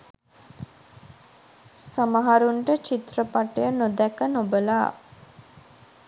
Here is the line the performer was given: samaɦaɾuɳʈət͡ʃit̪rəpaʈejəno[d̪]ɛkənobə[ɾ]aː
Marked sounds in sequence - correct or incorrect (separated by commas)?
correct, incorrect